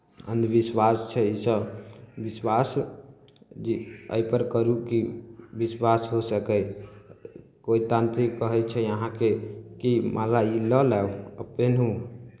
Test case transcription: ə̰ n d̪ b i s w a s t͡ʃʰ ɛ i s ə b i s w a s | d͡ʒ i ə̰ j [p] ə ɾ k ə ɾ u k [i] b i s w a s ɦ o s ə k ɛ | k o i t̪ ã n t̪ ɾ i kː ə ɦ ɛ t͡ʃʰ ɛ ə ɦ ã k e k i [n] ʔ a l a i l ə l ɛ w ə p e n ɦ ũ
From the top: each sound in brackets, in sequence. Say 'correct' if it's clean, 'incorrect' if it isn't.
correct, correct, incorrect: m

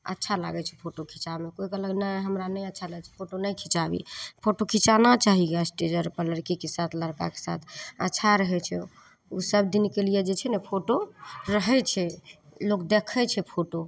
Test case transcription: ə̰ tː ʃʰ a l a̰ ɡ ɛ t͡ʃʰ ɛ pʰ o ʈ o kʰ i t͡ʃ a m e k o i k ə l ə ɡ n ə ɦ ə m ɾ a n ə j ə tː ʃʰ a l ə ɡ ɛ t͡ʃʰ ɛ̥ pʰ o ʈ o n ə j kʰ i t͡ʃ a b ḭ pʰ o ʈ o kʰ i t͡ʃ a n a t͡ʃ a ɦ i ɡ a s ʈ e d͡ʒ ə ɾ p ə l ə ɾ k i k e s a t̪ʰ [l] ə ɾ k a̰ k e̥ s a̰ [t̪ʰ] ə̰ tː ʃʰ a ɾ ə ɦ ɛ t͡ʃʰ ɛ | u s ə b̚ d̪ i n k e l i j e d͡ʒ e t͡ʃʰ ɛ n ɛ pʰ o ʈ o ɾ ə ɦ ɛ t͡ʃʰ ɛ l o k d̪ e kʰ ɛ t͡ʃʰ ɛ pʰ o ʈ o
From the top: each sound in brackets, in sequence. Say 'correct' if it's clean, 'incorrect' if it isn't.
correct, correct

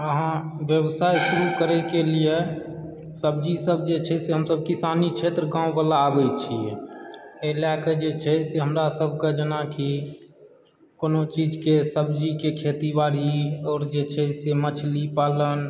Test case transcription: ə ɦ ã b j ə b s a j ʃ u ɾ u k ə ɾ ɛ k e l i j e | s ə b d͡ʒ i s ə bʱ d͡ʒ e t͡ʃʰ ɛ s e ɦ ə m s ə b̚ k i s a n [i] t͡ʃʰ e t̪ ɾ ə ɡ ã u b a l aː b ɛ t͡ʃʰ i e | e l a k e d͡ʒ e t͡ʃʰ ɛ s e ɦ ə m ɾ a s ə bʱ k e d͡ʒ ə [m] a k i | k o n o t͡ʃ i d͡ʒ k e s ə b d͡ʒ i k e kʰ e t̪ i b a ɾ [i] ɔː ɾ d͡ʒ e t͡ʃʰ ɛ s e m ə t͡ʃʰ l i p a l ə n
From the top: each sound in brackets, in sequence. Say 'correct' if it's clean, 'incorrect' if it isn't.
correct, incorrect: n, correct

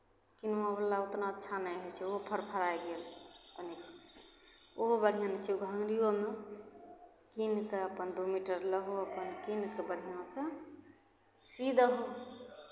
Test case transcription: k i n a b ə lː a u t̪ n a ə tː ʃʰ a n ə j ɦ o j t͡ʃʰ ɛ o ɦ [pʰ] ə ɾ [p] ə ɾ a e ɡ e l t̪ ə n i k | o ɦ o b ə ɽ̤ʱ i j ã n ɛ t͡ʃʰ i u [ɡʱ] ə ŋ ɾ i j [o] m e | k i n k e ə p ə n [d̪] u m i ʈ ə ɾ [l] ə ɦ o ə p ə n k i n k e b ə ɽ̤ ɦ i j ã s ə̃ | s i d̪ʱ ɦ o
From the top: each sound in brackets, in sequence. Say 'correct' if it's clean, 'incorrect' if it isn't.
correct, incorrect: pʰ, correct, correct, correct, correct

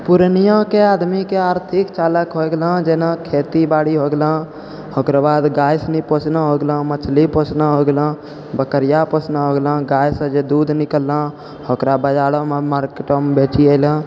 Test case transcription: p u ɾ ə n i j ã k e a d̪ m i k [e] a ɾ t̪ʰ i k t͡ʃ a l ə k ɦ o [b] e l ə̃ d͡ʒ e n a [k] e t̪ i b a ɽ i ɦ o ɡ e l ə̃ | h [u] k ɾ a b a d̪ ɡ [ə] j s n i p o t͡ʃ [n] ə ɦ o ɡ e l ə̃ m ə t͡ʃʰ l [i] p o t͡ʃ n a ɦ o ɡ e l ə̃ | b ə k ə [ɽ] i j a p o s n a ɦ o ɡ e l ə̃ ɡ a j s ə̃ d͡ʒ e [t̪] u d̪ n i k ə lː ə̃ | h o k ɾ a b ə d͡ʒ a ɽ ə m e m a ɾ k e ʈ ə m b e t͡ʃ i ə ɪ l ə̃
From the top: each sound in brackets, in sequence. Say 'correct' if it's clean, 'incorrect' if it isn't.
correct, incorrect: ɡ, incorrect: kʰ, incorrect: o, incorrect: a, correct, correct, incorrect: ɾ, incorrect: d̪

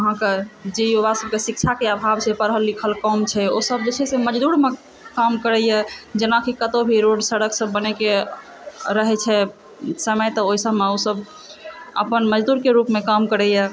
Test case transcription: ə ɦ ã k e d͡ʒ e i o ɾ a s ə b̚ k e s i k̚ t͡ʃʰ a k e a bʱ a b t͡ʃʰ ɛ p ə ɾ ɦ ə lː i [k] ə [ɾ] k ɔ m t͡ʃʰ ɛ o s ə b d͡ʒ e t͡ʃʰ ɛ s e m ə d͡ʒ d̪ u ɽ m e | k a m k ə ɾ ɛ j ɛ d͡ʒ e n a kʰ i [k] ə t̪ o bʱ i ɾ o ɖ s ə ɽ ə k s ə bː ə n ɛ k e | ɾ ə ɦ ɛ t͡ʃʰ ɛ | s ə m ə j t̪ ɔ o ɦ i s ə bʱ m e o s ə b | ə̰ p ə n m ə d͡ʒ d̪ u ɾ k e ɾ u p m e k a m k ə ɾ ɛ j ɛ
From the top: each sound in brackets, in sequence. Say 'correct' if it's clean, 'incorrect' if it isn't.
incorrect: kʰ, incorrect: l, correct

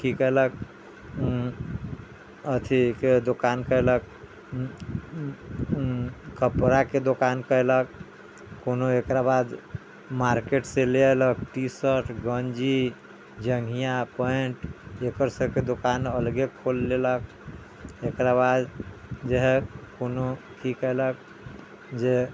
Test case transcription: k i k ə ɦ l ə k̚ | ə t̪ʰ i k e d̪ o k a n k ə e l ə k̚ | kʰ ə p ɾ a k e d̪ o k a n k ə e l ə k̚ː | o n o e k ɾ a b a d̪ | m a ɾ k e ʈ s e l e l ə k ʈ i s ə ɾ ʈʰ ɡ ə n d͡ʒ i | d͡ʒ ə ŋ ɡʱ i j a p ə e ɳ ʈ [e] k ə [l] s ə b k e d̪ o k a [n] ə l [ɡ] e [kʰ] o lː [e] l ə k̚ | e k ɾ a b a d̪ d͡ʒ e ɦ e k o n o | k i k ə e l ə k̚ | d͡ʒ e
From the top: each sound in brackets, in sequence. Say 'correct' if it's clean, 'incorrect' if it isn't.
correct, incorrect: ɾ, correct, correct, correct, correct

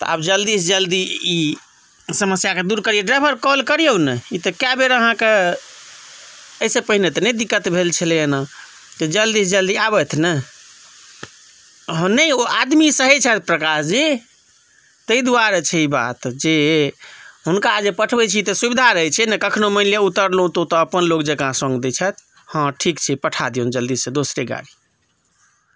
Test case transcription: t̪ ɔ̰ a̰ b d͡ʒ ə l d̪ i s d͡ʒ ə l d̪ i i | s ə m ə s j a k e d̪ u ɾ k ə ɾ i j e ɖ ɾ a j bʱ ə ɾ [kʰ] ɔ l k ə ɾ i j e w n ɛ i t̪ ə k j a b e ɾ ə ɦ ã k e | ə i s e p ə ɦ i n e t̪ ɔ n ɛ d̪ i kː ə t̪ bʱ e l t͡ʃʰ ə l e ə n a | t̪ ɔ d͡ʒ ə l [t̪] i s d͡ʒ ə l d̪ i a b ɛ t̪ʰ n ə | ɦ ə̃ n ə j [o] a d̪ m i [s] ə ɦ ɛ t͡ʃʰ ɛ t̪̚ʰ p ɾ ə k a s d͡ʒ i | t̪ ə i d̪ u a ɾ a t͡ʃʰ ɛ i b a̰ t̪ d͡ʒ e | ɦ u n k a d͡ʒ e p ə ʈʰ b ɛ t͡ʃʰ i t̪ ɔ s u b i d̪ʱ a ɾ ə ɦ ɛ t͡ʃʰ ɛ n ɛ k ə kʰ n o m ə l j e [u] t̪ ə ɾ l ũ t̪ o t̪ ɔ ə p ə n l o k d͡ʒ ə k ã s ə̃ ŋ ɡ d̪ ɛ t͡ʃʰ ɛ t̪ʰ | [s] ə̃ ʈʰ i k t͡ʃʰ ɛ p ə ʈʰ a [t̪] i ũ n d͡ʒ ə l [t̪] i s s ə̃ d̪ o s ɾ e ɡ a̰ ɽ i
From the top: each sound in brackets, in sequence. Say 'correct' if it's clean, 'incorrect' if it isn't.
incorrect: k, incorrect: d̪, correct, correct, correct, incorrect: h, incorrect: d̪, incorrect: d̪

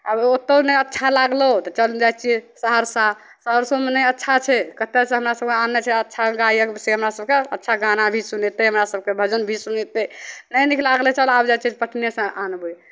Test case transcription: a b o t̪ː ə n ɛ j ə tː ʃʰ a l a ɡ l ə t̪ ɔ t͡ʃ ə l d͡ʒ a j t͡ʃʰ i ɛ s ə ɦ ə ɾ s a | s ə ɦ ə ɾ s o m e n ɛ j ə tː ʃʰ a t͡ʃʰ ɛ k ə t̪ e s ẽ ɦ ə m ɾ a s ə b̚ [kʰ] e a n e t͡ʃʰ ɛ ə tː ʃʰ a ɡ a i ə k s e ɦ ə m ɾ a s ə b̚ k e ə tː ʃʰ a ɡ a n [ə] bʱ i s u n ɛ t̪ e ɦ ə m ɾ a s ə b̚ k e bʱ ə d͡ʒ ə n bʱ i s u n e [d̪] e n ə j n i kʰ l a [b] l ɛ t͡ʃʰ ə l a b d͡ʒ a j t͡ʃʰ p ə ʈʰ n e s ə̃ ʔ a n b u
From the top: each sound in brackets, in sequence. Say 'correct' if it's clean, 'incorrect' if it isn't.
incorrect: k, incorrect: a, incorrect: t̪, incorrect: ɡ

